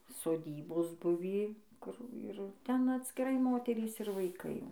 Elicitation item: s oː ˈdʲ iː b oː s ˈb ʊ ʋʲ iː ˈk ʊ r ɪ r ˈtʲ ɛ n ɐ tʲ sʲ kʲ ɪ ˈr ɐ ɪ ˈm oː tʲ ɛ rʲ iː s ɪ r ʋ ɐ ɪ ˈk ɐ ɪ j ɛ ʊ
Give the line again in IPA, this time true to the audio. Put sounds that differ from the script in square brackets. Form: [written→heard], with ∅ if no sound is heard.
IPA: s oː ˈdʲ iː b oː s ˈb ʊ ʋʲ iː ˈk ʊ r ɪ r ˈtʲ ɛ n ɐ tʲ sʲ kʲ ɪ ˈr ɐ ɪ ˈm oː tʲ ɛ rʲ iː s ɪ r ʋ ɐ ɪ ˈk ɐ ɪ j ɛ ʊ